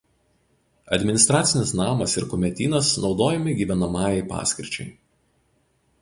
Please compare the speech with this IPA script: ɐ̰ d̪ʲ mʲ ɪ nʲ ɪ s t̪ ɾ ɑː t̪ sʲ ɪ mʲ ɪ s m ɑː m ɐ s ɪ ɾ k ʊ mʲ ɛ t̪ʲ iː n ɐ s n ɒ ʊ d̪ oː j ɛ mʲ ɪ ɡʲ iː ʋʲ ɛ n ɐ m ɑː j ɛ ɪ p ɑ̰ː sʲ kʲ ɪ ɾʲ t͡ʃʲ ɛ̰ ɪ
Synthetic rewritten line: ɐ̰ d̪ʲ mʲ ɪ nʲ ɪ s t̪ ɾ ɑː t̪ sʲ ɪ nʲ ɪ s n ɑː m ɐ s ɪ ɾ k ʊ mʲ ɛ t̪ʲ iː n ɐ s n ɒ ʊ d̪ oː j ɛ mʲ ɪ ɡʲ iː ʋʲ ɛ n ɐ m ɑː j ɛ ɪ p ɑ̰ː sʲ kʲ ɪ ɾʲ t͡ʃʲ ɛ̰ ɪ